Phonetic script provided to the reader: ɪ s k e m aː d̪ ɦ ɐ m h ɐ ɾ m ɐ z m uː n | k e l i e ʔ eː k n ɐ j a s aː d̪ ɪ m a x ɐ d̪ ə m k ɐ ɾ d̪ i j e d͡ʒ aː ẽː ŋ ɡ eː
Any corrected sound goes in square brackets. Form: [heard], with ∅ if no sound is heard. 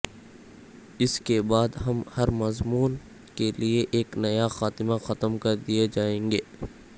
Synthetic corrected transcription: ɪ s k e [b] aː d̪ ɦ ɐ m h ɐ ɾ m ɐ z m uː n | k e l i e ʔ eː k n ɐ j a [x] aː [t̪] ɪ m a x ɐ [t̪] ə m k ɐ ɾ d̪ i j e d͡ʒ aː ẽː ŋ ɡ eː